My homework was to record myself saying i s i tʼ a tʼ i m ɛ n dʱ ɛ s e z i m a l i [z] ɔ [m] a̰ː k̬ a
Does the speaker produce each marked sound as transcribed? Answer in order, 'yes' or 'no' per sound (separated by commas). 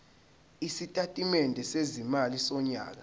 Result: no, no